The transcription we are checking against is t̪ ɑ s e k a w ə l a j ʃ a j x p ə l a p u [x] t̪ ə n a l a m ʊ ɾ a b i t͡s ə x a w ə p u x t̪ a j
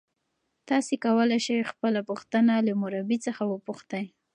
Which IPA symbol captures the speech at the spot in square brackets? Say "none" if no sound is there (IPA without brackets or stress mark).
x